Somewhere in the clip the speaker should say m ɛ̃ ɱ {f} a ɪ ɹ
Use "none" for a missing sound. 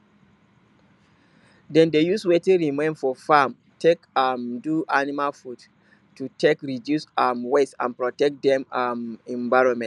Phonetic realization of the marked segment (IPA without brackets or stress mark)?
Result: v